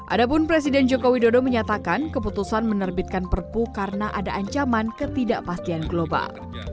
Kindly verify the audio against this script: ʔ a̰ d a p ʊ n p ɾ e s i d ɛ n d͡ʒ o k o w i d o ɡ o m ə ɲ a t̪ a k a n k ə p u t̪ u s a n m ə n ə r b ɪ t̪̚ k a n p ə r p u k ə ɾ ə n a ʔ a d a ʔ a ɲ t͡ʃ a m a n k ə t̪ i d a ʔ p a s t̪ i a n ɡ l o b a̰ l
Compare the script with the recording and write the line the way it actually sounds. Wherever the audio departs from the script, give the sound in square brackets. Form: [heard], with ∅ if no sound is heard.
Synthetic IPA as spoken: ʔ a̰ d a p ʊ n p ɾ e s i d ɛ n d͡ʒ o k o w i d o [d] o m ə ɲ a t̪ a k a n k ə p u t̪ u s a n m ə n ə r b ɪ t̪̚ k a n p ə r p u k [a] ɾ ə n a ʔ a d a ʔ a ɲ t͡ʃ a m a n k ə t̪ i d a ʔ p a s t̪ i a n ɡ l o b a̰ l